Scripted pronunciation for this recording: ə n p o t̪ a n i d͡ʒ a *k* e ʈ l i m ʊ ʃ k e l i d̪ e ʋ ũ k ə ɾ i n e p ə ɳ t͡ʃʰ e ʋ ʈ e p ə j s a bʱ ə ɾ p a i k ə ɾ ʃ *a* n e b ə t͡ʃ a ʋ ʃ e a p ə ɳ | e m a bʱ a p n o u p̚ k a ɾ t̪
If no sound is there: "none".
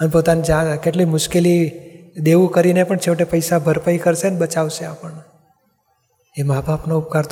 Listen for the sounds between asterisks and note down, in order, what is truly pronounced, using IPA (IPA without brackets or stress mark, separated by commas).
k, e